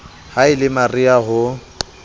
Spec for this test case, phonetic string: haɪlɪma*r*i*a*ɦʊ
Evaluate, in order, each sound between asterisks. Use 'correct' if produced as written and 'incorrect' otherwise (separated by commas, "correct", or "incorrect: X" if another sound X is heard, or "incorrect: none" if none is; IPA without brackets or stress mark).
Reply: correct, correct